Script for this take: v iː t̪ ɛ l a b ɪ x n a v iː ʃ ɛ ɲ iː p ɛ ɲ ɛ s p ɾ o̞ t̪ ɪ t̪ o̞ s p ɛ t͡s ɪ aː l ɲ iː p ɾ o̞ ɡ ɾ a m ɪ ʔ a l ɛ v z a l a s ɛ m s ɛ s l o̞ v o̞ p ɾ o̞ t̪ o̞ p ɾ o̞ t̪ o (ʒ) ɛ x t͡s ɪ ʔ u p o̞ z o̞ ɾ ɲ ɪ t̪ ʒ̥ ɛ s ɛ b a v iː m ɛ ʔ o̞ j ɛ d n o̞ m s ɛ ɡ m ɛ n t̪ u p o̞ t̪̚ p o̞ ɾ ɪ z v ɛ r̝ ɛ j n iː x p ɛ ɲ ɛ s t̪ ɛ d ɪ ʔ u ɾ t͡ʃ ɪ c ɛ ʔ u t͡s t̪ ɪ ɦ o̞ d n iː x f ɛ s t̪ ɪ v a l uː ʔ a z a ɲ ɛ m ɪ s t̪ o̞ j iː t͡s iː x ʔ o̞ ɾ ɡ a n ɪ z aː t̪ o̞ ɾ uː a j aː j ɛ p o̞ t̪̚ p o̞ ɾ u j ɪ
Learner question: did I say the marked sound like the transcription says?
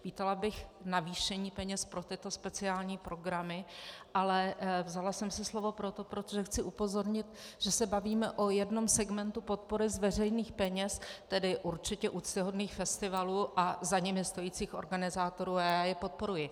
yes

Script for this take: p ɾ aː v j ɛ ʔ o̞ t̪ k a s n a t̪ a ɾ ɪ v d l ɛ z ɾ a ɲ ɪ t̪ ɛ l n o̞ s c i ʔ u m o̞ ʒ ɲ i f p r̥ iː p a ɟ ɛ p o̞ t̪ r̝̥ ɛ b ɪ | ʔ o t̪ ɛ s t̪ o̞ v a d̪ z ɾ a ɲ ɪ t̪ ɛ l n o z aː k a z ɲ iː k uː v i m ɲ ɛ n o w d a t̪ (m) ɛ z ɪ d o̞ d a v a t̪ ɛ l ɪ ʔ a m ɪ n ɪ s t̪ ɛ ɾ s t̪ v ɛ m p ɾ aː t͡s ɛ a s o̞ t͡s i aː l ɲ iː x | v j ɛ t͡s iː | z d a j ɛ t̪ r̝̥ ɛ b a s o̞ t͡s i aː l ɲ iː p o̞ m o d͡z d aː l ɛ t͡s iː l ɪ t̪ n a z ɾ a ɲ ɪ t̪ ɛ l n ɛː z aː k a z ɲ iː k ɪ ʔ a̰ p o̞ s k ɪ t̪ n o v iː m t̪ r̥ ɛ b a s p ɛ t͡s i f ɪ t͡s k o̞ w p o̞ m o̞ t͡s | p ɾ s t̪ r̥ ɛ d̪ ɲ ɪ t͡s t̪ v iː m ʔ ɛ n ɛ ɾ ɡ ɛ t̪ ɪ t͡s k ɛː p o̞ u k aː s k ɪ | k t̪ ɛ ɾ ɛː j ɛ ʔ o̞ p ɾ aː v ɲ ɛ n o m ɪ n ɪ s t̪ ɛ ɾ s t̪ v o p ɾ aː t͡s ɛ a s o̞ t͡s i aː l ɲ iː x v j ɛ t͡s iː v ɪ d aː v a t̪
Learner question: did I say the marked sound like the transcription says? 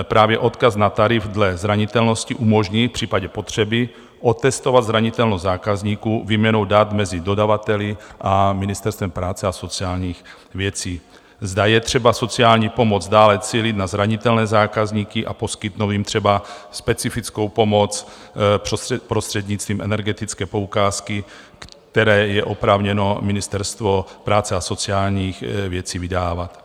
yes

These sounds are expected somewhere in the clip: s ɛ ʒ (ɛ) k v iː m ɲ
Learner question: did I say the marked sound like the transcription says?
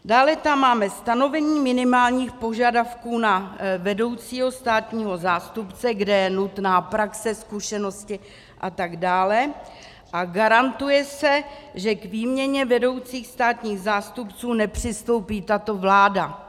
yes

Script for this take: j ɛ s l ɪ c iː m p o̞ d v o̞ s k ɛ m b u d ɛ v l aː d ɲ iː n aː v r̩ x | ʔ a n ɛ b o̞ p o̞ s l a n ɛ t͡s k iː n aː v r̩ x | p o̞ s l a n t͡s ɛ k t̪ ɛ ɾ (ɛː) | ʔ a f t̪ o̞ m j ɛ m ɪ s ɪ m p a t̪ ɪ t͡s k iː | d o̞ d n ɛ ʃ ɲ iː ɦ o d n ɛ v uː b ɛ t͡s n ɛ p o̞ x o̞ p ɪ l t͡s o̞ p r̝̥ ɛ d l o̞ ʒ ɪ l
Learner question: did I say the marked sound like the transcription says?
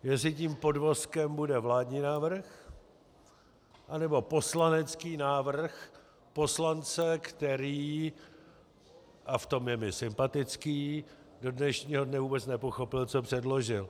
no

